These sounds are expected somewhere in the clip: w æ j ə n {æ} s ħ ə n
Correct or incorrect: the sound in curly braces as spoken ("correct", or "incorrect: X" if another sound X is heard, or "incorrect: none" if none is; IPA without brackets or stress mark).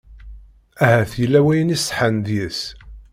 incorrect: i